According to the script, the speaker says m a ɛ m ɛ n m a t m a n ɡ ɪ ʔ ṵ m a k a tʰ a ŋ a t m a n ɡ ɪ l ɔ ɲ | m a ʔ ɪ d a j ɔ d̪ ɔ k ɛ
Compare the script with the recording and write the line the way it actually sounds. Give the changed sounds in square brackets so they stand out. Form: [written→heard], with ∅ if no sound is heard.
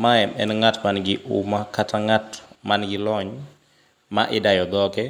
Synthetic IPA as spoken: m a ɛ m ɛ n [m→ŋ] a t m a n ɡ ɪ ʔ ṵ m a k a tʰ a ŋ a t m a n ɡ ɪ l ɔ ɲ | m a ʔ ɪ d a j ɔ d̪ ɔ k ɛ